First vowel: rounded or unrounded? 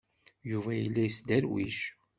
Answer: rounded